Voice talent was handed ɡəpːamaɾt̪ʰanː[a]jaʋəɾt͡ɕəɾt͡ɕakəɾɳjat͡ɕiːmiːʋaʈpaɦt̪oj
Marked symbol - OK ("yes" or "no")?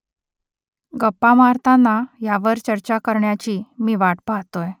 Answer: yes